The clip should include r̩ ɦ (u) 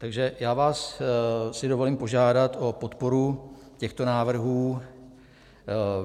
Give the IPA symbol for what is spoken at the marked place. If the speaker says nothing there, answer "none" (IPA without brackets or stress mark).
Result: uː